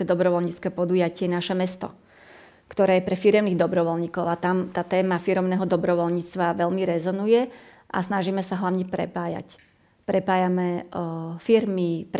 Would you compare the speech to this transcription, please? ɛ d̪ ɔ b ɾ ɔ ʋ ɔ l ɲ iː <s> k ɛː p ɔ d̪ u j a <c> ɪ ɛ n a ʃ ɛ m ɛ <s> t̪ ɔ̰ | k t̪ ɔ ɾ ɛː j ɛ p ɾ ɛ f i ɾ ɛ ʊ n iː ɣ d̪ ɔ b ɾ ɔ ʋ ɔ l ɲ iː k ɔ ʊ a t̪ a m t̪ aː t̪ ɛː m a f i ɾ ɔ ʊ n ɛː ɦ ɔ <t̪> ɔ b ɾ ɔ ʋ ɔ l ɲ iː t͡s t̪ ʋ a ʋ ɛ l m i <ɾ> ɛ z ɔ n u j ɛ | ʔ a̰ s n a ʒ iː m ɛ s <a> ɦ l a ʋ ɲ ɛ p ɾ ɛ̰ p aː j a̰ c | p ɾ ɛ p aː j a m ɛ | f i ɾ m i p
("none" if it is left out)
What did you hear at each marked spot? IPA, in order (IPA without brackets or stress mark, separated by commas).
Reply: t͡s, c, s, d̪, ɾ, a